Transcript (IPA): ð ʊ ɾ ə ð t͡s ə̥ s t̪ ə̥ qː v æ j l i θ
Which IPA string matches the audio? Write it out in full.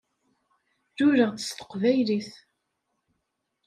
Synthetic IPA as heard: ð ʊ ɾ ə ʁ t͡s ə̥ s t̪ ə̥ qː v æ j l i θ